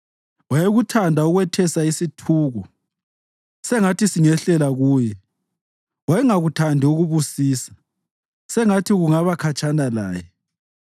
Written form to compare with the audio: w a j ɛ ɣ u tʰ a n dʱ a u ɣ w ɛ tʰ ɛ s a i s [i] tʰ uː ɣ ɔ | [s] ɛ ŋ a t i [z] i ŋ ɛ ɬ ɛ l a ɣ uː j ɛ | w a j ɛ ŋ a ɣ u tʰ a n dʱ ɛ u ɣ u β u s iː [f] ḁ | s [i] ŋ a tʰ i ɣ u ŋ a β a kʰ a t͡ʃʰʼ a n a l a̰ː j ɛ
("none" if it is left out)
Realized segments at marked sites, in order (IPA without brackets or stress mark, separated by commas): i, s, s, s, ɛ